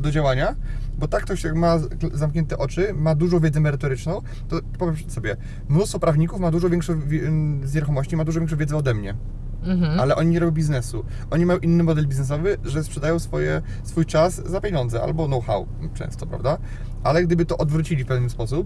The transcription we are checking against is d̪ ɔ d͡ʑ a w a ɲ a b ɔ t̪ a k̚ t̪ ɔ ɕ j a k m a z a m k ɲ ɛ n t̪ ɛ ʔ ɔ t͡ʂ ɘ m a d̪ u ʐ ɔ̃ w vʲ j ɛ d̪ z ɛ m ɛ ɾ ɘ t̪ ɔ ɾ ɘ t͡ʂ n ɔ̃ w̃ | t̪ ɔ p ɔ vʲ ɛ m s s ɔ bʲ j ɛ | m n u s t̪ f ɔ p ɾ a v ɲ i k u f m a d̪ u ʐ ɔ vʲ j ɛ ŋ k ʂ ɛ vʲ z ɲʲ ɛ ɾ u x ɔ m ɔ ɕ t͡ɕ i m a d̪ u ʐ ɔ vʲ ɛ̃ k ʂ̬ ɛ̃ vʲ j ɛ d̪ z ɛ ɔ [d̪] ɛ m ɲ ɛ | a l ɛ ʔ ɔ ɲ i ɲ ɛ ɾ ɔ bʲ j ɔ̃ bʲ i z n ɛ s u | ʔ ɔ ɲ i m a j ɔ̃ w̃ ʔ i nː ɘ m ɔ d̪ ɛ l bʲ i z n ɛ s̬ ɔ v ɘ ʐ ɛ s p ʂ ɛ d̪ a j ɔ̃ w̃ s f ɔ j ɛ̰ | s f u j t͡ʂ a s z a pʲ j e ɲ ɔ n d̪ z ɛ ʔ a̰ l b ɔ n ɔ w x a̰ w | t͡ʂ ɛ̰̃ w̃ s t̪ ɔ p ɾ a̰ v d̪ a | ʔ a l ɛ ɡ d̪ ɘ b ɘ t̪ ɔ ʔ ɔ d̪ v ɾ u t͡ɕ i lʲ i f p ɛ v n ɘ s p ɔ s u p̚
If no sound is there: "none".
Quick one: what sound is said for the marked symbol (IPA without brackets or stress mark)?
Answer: d̪